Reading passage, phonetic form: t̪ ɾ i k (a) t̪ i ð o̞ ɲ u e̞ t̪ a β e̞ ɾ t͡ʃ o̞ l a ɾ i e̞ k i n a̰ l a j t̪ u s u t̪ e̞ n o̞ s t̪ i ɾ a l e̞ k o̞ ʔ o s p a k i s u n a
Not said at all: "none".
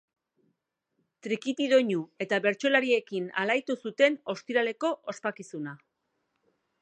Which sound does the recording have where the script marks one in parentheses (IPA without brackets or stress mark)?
i